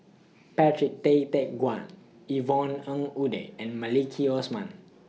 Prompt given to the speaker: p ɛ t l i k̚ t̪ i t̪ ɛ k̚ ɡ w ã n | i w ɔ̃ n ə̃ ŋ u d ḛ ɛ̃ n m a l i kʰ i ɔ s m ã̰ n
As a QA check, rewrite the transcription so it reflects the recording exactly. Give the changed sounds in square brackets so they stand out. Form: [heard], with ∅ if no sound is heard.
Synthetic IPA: p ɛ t [ɹ] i k̚ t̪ [e] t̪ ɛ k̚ ɡ w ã n | i [v] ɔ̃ n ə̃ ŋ u d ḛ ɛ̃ n m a l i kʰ i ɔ s m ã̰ n